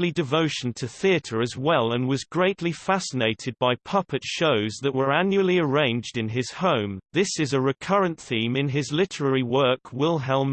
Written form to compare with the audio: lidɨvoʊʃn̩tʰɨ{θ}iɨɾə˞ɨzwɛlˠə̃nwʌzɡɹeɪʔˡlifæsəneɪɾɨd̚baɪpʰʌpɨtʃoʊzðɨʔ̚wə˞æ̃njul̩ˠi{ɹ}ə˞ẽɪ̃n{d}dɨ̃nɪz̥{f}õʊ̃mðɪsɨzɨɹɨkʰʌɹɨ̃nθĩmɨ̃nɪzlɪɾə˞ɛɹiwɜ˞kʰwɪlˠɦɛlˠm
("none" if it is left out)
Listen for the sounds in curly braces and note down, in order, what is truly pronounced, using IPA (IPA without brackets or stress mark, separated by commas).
θ, none, d͡ʒ, h